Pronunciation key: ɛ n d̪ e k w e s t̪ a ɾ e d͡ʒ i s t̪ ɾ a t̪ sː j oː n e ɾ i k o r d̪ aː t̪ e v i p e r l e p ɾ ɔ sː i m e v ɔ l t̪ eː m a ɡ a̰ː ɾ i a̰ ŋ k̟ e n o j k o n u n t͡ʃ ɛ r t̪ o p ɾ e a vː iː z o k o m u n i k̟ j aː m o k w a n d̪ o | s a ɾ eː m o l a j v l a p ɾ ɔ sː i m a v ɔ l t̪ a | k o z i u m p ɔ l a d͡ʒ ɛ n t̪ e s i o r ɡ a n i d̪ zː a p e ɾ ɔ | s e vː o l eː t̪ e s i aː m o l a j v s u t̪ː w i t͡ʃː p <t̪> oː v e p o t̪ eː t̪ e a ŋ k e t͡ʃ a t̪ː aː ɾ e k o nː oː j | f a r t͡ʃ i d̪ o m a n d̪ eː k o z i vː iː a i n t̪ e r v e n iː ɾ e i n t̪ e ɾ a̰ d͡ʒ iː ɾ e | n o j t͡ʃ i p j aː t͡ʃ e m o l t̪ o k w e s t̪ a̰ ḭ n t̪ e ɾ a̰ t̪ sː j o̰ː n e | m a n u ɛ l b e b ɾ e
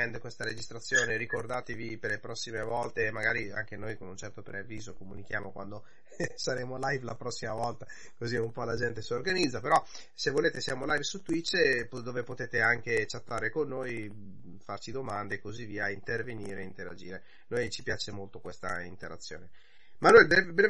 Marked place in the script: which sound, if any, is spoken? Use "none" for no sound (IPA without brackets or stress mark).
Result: d̪